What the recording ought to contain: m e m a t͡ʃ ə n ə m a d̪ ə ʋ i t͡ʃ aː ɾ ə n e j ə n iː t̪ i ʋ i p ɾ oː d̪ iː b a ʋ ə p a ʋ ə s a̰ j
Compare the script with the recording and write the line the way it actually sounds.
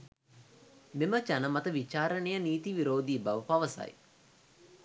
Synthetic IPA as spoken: m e m ə t͡ʃ a n ə m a t̪ ə ʋ i t͡ʃ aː ɾ ə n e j ə n iː t̪ i ʋ i ɾ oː d̪ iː b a ʋ ə p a ʋ ə s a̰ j